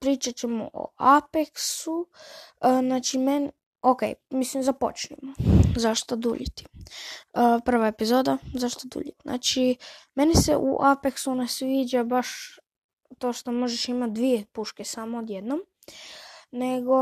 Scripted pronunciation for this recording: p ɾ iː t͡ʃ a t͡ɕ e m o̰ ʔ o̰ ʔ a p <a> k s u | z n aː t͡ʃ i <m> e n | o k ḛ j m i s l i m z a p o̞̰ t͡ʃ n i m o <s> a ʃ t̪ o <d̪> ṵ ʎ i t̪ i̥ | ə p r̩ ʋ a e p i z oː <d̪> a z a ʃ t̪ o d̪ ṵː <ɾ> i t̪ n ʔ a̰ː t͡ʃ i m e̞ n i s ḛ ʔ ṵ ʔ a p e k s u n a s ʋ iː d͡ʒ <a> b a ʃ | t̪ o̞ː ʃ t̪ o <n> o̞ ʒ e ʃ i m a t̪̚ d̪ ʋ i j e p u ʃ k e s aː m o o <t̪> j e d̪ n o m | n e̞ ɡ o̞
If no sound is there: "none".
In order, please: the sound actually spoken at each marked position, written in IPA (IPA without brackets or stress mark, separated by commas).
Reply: e, m, z, d̪, d̪, ʎ, a, m, d̪